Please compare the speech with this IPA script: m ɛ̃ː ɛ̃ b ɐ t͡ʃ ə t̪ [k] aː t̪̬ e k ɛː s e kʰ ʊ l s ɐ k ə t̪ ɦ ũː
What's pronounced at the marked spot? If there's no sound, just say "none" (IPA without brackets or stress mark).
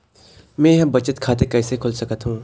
kʰ